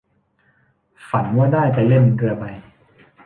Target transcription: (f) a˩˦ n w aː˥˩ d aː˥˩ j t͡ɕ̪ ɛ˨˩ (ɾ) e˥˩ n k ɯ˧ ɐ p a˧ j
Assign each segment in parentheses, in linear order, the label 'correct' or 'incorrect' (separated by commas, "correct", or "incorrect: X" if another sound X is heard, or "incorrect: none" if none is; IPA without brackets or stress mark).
correct, incorrect: l